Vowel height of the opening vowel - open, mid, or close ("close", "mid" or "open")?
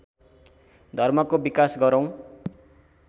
mid